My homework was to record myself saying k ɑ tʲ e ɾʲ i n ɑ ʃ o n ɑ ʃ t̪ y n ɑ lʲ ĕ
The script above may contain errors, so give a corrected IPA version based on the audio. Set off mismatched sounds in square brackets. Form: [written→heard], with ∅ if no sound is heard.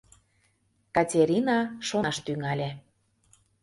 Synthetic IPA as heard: k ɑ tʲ e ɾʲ i n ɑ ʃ o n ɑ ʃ t̪ y [n→ŋ] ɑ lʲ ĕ